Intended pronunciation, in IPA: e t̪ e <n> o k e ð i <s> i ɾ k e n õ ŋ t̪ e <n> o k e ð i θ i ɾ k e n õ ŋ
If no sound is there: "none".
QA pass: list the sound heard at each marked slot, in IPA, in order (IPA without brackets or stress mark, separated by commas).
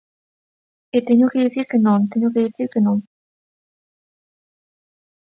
ɲ, θ, ɲ